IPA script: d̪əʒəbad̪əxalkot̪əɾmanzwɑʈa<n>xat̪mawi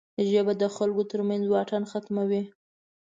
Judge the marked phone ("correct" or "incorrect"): correct